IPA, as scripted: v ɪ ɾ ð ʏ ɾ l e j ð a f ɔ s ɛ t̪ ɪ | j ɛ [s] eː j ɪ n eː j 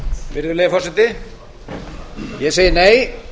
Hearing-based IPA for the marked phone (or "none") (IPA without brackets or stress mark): s